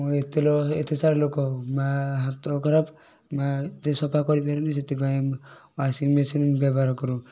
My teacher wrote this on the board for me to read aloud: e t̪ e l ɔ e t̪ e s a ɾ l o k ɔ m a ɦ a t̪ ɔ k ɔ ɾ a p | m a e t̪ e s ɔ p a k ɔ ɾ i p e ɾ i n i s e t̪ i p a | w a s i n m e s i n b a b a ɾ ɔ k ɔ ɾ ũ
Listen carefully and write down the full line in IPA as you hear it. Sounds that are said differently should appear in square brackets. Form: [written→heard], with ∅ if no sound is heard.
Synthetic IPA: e t̪ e l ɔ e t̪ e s a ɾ l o k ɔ m a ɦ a t̪ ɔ k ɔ ɾ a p | m a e t̪ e s ɔ p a k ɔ ɾ i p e ɾ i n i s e t̪ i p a | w a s i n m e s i n b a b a ɾ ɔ k ɔ ɾ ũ